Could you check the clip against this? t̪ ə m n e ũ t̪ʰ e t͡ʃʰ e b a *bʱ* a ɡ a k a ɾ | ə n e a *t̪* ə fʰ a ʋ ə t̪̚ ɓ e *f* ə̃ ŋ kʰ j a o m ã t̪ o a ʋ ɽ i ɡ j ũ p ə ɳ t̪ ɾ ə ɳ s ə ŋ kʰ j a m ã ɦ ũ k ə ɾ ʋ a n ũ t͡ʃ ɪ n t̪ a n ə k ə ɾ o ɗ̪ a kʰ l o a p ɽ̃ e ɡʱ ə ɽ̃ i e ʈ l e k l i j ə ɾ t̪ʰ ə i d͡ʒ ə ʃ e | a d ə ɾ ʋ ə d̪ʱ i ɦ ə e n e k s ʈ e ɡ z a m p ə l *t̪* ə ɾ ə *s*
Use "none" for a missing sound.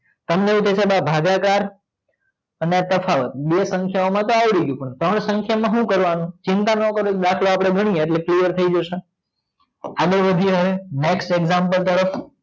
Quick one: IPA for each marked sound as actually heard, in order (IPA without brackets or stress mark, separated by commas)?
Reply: bʱ, t̪, s, t̪, f